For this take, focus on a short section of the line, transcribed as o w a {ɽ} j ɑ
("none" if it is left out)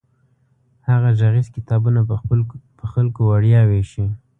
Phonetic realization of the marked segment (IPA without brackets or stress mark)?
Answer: ɽ